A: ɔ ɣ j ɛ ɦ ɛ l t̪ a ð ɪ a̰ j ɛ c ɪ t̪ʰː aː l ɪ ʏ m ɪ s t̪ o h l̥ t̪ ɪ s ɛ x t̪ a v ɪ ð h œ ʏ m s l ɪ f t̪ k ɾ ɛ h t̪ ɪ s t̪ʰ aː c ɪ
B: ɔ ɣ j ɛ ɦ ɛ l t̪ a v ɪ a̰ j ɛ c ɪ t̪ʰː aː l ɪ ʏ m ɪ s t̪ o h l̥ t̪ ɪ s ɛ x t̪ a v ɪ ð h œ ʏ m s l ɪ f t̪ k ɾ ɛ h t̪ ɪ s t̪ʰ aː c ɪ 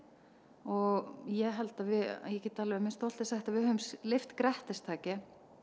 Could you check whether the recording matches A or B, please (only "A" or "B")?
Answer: B